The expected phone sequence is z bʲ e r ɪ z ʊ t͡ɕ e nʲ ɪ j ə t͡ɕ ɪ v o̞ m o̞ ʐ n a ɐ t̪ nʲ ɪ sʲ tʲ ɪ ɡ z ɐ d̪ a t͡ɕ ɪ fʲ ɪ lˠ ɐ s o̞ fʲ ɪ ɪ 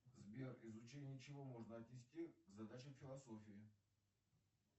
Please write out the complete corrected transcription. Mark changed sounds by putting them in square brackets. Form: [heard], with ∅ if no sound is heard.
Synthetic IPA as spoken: z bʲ e r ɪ z ʊ t͡ɕ e nʲ ɪ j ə t͡ɕ ɪ v o̞ m o̞ ʐ n [ə] ɐ t̪ nʲ ɪ sʲ tʲ [i] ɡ z ɐ d̪ a t͡ɕ ɪ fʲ ɪ lˠ ɐ s o̞ fʲ ɪ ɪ